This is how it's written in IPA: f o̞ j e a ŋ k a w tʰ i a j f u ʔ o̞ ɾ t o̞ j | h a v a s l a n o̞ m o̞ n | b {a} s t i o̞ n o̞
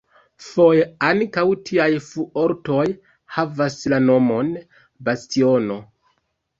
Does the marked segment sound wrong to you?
no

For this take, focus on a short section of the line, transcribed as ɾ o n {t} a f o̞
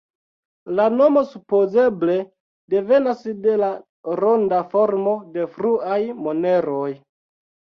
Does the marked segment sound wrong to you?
yes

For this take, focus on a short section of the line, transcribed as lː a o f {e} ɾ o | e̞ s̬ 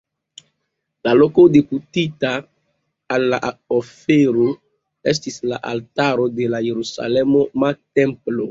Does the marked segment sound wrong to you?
no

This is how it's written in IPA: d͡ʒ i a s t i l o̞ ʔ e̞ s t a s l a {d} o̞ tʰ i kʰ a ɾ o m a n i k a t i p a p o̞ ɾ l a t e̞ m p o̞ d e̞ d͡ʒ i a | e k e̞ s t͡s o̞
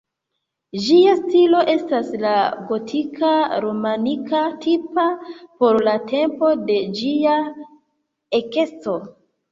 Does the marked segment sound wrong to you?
yes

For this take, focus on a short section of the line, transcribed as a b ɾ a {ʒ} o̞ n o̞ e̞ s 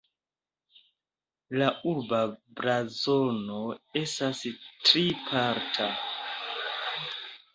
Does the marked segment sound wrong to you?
yes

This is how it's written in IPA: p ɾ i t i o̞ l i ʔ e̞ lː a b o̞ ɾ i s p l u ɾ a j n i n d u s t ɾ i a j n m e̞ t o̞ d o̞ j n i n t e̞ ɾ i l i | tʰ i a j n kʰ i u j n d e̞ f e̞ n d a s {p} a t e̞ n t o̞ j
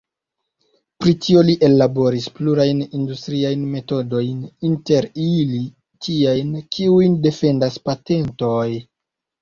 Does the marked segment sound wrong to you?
no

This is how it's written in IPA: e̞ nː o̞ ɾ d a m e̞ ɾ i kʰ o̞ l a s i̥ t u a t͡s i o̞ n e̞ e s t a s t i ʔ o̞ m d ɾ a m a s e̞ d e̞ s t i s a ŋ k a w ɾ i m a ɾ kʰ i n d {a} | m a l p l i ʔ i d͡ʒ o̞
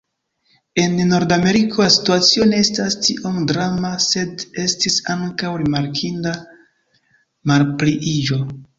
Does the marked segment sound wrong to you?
no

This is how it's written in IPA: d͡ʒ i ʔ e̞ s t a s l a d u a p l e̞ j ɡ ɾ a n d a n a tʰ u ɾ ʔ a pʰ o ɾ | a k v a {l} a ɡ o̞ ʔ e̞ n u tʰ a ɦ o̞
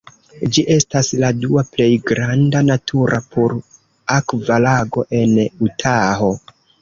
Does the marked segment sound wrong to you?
no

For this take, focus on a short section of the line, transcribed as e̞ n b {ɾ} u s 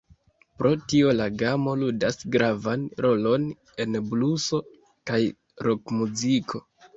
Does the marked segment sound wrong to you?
yes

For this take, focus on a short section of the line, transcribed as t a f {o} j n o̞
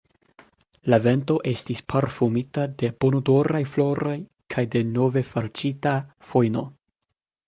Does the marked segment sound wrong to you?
no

